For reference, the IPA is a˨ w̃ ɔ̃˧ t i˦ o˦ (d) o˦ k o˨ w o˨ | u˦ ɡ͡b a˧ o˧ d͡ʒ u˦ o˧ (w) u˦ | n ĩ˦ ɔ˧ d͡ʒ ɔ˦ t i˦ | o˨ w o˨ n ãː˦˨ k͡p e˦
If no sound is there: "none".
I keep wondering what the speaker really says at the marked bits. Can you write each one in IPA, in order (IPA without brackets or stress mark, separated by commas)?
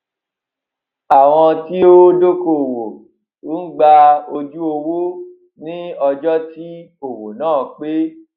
d, w